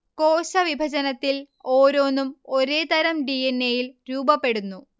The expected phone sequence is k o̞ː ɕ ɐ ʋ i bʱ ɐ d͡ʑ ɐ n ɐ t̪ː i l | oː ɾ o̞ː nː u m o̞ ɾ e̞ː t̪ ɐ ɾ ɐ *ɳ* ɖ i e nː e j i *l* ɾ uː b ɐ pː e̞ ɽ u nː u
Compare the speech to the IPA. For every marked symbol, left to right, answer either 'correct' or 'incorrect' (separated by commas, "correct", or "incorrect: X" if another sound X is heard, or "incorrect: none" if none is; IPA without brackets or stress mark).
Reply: incorrect: m, correct